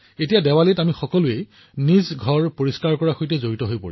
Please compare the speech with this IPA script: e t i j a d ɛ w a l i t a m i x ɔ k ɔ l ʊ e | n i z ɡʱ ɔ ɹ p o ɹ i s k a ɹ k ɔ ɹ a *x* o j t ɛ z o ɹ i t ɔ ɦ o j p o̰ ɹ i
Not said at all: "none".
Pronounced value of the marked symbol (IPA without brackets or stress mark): x